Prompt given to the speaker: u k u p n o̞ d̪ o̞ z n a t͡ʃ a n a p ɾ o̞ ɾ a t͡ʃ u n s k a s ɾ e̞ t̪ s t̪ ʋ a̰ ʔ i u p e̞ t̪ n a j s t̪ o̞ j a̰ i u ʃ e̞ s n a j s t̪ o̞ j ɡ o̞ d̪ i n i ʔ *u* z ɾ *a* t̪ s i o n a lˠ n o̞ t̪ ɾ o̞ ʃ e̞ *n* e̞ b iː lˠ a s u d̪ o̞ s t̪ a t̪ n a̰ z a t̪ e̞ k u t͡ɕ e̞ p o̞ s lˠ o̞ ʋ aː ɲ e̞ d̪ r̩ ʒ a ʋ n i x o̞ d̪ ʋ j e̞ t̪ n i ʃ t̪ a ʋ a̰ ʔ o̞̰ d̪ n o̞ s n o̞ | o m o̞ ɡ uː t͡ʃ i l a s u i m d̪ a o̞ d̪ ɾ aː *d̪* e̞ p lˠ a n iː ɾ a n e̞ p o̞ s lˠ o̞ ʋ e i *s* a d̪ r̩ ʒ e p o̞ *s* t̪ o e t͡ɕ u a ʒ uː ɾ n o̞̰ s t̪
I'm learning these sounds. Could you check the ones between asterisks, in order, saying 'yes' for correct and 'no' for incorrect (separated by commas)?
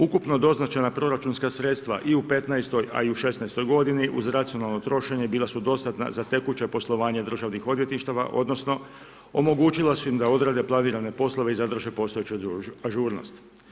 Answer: yes, yes, no, yes, no, yes